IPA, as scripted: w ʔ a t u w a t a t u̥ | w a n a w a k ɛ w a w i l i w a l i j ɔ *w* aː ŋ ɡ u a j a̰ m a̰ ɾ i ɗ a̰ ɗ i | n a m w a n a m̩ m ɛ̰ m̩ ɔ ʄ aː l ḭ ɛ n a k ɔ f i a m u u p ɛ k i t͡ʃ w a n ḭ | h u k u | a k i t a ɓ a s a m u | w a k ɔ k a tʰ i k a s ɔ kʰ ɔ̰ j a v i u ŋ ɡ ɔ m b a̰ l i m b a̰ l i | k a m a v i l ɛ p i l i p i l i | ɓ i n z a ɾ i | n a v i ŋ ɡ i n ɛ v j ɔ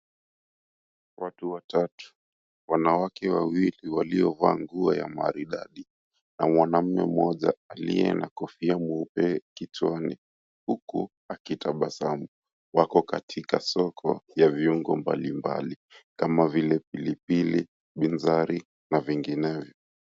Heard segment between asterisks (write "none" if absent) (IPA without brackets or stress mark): v